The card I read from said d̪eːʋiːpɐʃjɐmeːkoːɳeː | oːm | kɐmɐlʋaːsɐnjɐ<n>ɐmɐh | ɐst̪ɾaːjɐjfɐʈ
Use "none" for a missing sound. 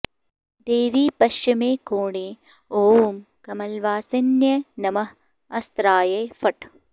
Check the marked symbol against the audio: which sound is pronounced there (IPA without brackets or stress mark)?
n